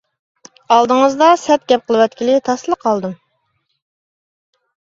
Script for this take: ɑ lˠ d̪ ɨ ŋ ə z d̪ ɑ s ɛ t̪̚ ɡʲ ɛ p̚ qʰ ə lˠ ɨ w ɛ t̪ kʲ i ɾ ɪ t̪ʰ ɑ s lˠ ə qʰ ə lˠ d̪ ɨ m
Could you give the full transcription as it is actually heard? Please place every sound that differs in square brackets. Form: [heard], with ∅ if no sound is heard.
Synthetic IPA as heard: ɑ lˠ d̪ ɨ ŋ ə z d̪ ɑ s ɛ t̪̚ ɡʲ ɛ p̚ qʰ ə lˠ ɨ w ɛ t̪ kʲ i [l] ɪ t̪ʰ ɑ s lˠ ə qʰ [ɑ] lˠ d̪ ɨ m